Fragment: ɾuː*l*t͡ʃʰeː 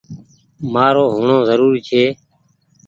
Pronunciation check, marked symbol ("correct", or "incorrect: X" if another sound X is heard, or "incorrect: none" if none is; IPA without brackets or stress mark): incorrect: ɾ